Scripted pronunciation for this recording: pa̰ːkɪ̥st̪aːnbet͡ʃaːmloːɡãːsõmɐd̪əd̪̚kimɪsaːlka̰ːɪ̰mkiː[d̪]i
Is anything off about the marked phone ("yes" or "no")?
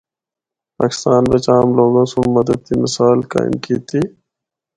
yes